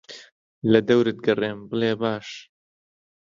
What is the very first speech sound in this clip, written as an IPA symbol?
l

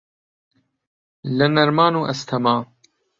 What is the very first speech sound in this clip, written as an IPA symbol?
l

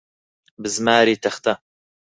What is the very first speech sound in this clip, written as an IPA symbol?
b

